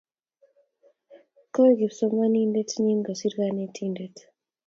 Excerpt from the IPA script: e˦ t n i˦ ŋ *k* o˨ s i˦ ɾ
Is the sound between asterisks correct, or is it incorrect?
incorrect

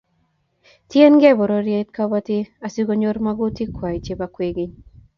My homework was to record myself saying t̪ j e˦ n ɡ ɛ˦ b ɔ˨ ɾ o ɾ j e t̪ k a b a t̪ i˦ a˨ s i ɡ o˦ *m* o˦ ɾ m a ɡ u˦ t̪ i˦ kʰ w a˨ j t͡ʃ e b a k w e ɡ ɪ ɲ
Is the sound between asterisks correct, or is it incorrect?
incorrect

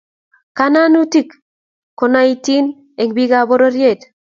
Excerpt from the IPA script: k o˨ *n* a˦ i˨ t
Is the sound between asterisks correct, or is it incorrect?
correct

